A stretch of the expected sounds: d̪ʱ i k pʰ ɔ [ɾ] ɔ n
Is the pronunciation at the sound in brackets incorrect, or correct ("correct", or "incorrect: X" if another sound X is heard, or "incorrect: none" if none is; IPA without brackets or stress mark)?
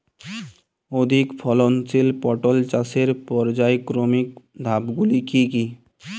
incorrect: l